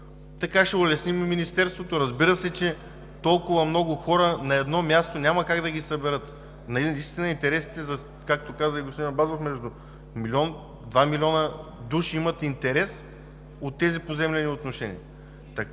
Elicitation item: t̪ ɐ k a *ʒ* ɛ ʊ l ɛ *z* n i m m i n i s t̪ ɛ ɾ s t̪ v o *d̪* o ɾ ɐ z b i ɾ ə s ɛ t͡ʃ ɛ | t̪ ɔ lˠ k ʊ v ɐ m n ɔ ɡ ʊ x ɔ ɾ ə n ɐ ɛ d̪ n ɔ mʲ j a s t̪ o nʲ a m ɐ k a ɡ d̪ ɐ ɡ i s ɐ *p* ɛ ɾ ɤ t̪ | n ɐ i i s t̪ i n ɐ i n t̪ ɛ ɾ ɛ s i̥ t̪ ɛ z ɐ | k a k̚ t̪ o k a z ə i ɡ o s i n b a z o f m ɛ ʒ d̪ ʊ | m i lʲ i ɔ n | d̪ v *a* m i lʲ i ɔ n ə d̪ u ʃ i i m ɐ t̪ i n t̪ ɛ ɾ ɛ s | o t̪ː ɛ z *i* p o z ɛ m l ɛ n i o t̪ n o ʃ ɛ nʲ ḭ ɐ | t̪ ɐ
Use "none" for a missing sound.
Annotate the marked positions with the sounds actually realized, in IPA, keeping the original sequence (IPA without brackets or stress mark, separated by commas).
ʃ, s, t̪, b, a, i